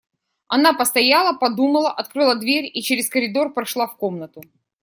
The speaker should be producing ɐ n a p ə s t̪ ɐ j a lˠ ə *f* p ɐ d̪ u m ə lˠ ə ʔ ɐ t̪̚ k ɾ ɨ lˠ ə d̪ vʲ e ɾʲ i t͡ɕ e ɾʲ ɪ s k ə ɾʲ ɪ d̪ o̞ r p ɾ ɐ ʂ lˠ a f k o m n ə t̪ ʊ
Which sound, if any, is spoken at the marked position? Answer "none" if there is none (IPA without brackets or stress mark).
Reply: none